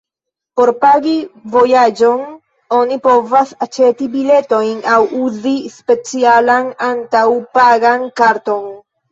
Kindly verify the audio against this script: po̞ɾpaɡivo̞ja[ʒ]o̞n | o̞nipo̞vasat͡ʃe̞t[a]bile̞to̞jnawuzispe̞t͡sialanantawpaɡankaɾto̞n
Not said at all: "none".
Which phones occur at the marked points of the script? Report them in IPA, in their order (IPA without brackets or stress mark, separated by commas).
d͡ʒ, i